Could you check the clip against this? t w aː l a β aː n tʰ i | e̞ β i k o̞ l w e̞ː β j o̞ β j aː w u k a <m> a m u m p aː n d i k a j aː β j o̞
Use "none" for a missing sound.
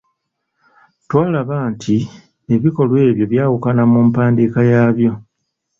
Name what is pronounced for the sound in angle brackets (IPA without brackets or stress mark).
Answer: n